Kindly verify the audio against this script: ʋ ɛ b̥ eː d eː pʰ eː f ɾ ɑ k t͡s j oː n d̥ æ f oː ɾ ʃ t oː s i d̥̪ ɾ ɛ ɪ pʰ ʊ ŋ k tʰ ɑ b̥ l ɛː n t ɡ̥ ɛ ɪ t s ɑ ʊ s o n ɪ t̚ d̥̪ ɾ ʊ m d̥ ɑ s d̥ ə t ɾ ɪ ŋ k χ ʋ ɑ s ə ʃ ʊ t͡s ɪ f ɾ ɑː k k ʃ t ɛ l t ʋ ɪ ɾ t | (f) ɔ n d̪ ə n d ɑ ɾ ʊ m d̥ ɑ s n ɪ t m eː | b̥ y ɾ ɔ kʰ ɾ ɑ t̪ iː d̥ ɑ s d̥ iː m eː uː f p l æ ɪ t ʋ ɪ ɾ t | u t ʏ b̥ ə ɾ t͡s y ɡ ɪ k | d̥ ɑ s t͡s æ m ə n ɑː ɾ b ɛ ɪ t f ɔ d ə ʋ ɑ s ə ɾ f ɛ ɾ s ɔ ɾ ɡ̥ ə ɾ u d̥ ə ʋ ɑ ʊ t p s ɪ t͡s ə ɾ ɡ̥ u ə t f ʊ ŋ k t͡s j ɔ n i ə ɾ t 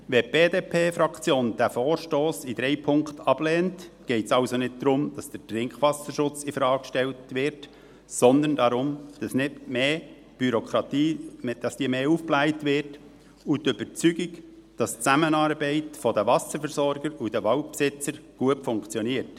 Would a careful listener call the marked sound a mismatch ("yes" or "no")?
yes